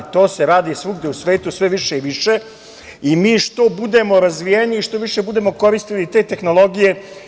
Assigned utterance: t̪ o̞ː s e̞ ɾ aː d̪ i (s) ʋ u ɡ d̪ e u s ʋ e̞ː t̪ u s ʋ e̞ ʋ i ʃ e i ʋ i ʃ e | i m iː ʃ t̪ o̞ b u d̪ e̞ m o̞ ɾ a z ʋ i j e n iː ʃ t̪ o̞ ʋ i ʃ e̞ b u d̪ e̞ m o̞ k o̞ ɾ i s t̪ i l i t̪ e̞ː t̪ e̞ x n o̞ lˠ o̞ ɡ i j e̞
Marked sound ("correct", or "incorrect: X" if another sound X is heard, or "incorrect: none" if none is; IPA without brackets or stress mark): correct